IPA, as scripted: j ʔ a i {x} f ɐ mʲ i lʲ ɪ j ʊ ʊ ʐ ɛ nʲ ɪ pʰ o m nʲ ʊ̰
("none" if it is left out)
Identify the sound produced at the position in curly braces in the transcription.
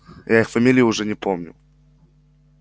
x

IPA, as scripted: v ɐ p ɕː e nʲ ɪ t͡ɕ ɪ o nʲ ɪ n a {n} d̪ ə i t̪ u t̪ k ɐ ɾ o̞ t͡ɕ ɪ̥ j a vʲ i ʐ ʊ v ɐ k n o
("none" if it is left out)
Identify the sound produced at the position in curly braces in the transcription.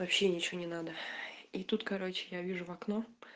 none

